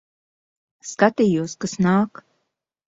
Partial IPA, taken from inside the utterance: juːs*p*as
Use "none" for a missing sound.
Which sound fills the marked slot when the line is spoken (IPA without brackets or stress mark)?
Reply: k